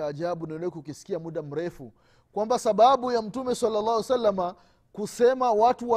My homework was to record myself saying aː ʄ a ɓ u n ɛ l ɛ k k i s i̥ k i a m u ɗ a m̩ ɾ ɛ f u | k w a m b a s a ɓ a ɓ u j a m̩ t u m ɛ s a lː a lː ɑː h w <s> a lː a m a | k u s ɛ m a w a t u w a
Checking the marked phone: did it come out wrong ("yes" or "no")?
no